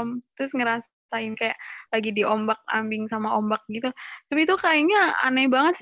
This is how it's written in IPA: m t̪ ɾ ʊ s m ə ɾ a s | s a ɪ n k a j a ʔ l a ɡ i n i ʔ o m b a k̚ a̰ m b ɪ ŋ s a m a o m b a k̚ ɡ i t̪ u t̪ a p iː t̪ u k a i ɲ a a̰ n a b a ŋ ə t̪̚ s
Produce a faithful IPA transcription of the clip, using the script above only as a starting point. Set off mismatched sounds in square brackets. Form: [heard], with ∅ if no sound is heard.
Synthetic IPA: m t̪ ɾ ʊ s [ŋ] ə ɾ a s | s a ɪ n k a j a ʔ l a ɡ i [d] i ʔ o m b a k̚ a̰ m b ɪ ŋ s a m a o m b a k̚ ɡ i t̪ u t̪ a p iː t̪ u k a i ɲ a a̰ n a b a ŋ ə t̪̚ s